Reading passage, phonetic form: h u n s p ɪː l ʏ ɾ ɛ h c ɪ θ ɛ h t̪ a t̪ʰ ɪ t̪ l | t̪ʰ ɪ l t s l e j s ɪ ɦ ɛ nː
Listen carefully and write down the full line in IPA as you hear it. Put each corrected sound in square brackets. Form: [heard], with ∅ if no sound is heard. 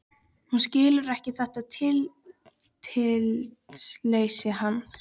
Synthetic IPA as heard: h u n s [c] ɪː l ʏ ɾ ɛ h c ɪ θ ɛ h t̪ a t̪ʰ ɪ [∅] l | t̪ʰ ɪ l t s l e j s ɪ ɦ [a] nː